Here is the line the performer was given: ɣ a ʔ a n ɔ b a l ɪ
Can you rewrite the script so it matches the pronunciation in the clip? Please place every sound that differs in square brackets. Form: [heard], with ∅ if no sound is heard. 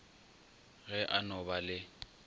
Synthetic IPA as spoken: ɣ [ɛ] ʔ a n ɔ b a l ɪ